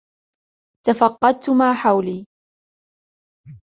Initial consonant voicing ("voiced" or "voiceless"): voiceless